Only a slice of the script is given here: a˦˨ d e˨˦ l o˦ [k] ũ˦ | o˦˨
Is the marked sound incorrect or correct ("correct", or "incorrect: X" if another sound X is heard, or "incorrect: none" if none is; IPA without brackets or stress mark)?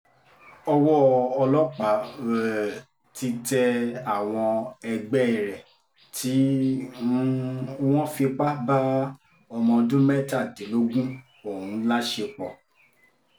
incorrect: ɡ